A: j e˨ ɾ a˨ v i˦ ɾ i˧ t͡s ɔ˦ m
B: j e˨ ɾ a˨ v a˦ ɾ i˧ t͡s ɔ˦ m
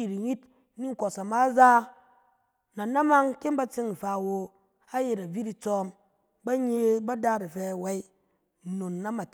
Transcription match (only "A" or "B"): A